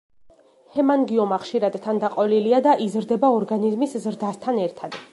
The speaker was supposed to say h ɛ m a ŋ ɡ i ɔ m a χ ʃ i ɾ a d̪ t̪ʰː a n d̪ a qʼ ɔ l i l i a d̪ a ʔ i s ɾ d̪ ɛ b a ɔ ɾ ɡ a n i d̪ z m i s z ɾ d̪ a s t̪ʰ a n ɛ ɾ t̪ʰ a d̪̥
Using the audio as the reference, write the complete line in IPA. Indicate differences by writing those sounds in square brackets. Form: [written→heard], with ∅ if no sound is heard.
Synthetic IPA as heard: h ɛ m a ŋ ɡ i ɔ m a χ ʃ i ɾ a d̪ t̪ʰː a n d̪ a qʼ ɔ l i l i a d̪ a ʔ i [s→z] ɾ d̪ ɛ b a ɔ ɾ ɡ a n i [d̪→∅] z m i s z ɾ d̪ a s t̪ʰ a n ɛ ɾ t̪ʰ a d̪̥